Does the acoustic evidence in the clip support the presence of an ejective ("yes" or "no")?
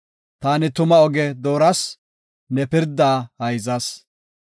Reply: no